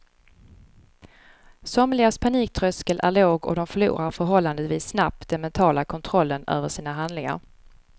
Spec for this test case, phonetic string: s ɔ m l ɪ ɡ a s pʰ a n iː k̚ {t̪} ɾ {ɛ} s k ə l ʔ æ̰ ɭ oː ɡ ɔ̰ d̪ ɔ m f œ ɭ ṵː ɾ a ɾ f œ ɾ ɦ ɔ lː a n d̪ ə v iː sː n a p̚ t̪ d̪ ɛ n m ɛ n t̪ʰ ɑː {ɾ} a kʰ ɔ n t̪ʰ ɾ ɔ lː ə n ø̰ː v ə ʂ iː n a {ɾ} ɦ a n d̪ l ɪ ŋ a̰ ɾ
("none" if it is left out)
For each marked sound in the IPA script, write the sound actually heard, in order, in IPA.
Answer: t̪ʰ, œ, l, none

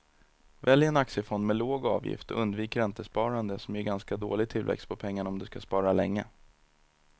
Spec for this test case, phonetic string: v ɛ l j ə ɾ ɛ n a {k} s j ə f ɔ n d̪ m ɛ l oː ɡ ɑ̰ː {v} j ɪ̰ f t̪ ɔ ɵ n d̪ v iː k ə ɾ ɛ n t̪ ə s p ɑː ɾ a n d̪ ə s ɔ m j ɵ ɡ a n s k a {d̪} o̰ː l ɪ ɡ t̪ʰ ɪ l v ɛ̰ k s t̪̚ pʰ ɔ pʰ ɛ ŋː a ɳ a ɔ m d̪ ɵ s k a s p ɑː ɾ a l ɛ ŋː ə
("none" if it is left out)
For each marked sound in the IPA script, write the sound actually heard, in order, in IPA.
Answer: k, v, d̪

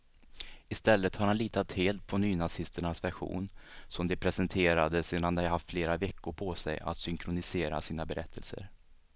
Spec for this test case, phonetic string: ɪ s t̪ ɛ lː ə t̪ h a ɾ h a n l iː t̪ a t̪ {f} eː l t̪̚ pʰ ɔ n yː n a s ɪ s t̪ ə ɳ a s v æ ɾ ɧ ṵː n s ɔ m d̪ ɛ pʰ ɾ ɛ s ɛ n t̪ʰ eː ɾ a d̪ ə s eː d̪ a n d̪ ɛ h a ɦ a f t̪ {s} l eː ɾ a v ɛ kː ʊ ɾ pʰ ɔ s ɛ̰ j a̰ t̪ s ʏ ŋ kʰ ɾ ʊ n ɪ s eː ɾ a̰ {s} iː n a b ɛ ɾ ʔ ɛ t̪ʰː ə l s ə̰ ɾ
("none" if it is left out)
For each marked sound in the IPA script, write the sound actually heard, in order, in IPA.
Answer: h, f, s

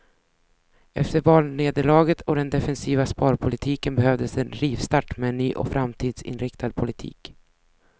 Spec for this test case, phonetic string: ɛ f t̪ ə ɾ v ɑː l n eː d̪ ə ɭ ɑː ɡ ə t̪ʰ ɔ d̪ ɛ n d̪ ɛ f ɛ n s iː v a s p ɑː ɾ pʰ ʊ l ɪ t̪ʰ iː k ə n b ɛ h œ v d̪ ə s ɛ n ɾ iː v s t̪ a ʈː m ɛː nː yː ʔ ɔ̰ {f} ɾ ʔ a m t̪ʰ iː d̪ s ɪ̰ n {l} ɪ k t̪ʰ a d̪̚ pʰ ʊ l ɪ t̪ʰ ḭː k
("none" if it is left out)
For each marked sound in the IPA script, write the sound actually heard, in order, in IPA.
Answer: f, ɾ

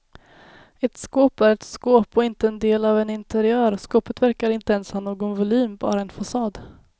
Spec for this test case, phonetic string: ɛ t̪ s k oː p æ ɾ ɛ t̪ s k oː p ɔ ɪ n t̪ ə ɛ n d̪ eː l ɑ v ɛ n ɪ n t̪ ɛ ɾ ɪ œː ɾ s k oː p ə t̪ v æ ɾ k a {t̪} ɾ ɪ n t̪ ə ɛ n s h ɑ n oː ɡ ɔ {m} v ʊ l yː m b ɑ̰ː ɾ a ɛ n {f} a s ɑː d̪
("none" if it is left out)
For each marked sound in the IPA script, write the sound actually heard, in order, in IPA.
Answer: none, n, f

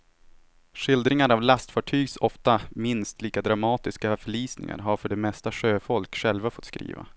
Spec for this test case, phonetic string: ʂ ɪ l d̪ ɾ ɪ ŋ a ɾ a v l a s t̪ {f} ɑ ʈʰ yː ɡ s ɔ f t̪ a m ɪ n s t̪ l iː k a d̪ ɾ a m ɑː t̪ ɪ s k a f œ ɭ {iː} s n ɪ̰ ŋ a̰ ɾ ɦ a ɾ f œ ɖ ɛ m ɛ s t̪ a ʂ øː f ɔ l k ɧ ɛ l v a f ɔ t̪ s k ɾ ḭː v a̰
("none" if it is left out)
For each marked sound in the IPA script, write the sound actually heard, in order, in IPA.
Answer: f, iː

